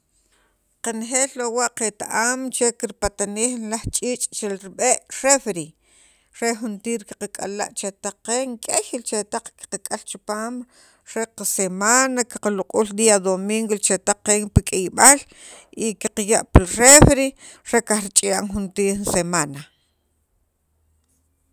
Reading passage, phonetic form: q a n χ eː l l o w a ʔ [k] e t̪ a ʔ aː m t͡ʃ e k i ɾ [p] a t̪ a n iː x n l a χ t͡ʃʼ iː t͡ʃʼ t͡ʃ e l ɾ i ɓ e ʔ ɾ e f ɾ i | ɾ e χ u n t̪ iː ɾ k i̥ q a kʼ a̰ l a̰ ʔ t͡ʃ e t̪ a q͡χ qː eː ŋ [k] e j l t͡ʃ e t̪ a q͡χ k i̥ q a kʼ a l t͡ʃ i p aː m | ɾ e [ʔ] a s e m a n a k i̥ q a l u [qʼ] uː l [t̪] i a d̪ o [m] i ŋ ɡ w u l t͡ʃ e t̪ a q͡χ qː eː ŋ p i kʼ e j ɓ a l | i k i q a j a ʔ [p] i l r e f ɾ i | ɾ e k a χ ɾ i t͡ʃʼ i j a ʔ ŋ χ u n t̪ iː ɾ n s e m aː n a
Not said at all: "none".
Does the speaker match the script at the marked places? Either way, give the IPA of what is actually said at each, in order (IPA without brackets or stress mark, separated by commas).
q, p, kʼ, q, qʼ, d̪, m, p